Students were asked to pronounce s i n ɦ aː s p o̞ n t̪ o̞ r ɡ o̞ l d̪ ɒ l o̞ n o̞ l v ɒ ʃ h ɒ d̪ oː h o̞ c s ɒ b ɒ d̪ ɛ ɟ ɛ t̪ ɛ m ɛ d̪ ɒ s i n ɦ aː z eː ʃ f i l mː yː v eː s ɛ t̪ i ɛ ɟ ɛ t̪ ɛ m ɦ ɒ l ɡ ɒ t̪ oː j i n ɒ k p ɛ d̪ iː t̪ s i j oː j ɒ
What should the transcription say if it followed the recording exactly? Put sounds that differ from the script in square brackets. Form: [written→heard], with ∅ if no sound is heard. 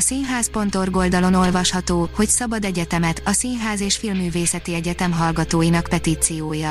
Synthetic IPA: s i n ɦ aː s p o̞ n t̪ o̞ r ɡ o̞ l d̪ ɒ l o̞ n o̞ l v ɒ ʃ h ɒ [d̪→t̪] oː h o̞ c s ɒ b ɒ d̪ ɛ ɟ ɛ t̪ ɛ m ɛ [d̪→t̪] ɒ s i n ɦ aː z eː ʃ f i l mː yː v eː s ɛ t̪ i ɛ ɟ ɛ t̪ ɛ m ɦ ɒ l ɡ ɒ t̪ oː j i n ɒ k p ɛ [d̪→t̪] iː t̪ s i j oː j ɒ